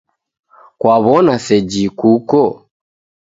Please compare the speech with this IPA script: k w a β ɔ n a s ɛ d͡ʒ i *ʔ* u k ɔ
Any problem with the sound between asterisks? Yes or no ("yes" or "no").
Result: yes